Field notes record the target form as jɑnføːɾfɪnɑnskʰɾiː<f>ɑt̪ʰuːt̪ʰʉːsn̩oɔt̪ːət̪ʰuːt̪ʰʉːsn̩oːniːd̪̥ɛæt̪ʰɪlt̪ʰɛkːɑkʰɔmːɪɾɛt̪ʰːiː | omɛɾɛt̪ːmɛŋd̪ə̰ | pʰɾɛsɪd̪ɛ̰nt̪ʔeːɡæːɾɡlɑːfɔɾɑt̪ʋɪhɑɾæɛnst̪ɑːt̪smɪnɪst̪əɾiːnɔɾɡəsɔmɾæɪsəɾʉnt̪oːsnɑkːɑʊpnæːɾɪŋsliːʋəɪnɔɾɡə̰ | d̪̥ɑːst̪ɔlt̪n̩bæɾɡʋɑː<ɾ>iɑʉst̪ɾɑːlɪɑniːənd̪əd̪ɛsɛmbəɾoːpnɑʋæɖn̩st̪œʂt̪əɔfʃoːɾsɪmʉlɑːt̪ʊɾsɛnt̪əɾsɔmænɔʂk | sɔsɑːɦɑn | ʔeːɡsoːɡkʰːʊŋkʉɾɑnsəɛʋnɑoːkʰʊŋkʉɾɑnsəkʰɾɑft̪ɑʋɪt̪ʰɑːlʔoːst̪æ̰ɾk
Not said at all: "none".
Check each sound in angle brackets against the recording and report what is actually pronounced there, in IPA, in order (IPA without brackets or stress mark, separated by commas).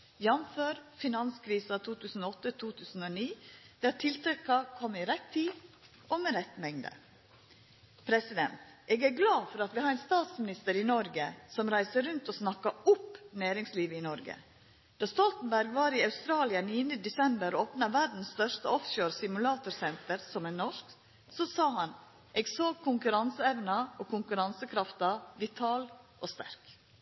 s, ɾ